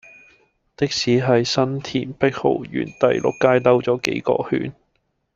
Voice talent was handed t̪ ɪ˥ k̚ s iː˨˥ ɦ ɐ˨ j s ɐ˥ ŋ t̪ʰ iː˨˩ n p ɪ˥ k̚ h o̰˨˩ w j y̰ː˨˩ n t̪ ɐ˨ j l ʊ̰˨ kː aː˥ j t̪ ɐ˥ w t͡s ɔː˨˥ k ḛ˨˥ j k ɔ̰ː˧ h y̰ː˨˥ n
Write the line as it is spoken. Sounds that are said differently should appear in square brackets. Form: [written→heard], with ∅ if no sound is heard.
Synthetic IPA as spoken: t̪ ɪ˥ k̚ s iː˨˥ ɦ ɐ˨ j s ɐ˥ [ŋ→n] t̪ʰ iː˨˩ n p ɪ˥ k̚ h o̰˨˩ w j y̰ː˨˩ n t̪ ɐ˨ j l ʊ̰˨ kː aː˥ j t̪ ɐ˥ w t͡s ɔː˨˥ k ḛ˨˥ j k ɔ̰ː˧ h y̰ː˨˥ n